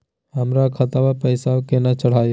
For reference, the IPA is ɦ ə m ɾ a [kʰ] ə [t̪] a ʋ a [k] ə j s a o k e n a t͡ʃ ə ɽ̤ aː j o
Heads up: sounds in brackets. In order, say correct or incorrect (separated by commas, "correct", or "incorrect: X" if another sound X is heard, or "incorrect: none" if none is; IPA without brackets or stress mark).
correct, correct, incorrect: p